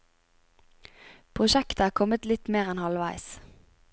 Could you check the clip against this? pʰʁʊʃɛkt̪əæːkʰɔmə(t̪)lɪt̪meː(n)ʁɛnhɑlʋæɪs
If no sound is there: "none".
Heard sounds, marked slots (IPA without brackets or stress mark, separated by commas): t̪, none